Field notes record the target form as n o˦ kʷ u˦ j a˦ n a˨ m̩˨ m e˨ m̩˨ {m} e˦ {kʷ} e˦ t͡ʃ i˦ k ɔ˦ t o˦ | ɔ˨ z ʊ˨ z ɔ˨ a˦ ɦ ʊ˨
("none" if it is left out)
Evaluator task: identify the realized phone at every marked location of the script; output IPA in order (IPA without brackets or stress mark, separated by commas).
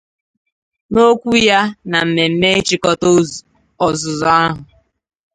m, none